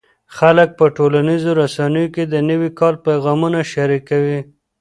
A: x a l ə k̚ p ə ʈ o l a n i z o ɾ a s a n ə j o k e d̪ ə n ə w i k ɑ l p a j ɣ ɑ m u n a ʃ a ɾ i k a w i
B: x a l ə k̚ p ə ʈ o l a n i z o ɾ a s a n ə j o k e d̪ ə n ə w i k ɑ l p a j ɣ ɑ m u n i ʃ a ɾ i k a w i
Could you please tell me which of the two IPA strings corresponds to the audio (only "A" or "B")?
A